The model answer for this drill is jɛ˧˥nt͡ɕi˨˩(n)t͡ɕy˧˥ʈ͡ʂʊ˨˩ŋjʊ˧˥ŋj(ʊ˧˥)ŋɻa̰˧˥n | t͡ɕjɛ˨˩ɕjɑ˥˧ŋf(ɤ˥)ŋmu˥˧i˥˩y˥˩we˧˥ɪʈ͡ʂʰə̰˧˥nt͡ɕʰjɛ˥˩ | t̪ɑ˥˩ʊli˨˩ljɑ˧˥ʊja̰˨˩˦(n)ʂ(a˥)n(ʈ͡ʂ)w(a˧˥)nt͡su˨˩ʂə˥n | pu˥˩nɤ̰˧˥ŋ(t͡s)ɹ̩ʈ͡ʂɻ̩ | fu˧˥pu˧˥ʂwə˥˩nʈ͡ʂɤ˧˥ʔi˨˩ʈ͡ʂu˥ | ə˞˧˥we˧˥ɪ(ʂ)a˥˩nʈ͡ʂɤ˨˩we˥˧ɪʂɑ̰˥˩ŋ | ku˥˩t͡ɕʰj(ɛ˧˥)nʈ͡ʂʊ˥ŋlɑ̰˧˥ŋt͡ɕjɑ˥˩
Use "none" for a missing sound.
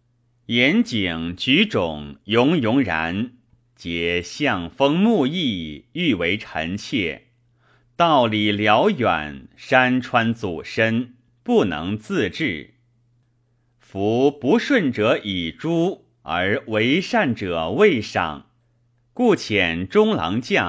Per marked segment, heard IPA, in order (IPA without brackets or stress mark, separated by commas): ŋ, ʊ˧˥, ɤ˥, n, a˥, ʈ͡ʂʰ, a˥, t͡s, ʂ, ɛ˨˩